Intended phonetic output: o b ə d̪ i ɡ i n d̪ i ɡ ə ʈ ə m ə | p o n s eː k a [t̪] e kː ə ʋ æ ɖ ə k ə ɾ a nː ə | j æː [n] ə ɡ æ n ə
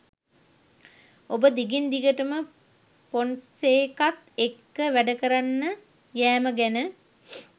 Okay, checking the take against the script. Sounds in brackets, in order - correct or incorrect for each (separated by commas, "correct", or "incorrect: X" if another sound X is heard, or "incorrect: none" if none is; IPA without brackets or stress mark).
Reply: correct, incorrect: m